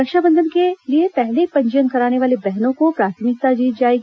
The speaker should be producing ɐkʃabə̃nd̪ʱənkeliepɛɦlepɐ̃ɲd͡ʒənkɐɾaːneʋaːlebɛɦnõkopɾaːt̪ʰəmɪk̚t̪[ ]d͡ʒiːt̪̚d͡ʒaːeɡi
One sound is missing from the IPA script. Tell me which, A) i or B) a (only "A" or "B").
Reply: B